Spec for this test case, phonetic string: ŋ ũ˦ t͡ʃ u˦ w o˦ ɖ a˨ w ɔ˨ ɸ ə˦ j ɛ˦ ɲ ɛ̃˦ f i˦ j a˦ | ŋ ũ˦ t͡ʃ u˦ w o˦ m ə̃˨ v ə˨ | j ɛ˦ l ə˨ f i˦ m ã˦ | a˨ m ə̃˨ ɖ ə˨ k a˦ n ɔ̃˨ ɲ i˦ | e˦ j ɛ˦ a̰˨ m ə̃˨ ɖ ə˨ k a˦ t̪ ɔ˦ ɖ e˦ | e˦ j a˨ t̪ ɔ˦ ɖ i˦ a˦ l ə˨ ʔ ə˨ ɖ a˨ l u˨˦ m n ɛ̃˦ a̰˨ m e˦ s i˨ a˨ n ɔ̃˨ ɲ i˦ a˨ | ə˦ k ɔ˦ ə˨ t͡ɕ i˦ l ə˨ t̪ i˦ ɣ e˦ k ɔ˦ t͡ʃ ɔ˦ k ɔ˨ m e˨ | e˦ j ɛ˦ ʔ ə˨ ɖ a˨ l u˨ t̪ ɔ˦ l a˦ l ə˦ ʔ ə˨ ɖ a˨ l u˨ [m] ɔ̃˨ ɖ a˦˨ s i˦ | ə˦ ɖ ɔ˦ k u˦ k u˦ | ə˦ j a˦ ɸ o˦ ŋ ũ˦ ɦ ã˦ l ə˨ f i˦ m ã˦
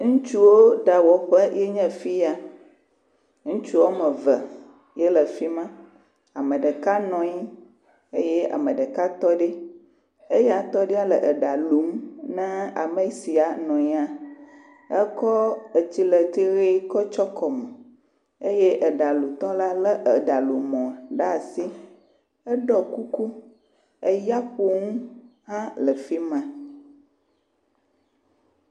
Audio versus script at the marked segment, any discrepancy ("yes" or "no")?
no